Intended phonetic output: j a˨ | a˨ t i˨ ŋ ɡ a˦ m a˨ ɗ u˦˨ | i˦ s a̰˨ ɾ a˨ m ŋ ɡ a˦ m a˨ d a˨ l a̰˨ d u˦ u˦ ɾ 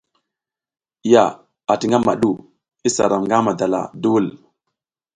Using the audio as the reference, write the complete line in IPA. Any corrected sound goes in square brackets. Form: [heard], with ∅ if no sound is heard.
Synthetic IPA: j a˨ | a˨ t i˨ ŋ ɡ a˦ m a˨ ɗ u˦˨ | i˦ s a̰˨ ɾ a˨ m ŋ ɡ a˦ m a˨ d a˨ l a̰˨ d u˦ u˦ [l]